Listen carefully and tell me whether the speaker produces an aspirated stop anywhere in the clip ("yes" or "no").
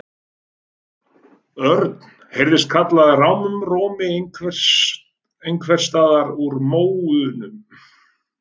yes